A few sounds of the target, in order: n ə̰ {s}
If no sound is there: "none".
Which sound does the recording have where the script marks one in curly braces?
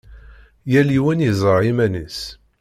s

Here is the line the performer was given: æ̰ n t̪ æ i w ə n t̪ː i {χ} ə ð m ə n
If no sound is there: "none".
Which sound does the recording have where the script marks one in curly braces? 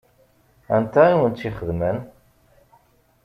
χ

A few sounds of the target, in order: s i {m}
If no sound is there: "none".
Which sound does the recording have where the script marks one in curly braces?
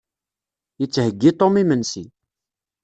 none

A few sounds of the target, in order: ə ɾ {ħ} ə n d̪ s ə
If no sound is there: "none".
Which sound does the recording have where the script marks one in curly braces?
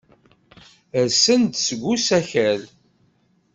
s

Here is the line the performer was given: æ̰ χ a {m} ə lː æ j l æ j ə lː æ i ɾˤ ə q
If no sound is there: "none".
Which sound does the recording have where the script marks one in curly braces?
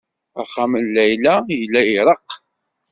m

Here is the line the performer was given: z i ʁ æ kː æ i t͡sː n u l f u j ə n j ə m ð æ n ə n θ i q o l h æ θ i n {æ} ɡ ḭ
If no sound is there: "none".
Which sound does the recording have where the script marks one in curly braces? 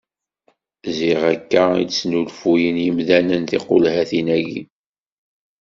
æ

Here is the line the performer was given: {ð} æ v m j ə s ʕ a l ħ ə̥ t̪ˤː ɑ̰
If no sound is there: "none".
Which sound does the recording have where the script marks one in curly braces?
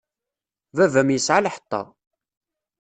v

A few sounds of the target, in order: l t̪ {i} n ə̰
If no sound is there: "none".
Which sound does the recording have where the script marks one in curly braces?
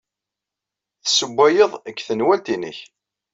i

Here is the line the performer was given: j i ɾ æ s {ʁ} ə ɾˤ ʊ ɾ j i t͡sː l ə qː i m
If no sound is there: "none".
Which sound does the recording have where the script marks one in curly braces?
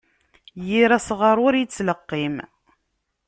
ʁ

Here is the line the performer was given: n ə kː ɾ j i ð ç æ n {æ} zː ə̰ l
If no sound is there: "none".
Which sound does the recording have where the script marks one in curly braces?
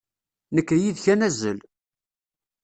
æ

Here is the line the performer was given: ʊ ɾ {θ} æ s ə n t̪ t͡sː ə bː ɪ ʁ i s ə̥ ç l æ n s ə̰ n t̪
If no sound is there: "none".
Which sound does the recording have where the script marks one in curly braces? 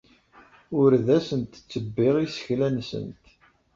ð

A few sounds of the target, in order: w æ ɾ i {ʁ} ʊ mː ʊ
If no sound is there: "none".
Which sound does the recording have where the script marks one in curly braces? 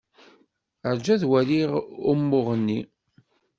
ʁ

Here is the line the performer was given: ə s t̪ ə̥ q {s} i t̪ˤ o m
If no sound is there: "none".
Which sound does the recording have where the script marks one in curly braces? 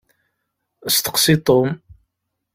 s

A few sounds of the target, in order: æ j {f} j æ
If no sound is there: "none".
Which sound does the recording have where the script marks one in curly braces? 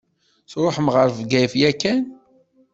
f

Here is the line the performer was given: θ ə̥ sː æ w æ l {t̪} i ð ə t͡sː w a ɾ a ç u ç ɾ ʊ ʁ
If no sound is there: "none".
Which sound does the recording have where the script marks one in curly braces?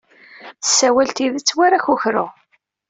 t̪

